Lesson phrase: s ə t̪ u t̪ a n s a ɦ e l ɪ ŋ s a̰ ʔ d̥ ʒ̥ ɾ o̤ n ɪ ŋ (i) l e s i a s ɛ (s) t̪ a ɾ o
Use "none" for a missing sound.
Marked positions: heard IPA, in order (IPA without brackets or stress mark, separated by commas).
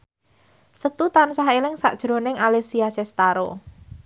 a, s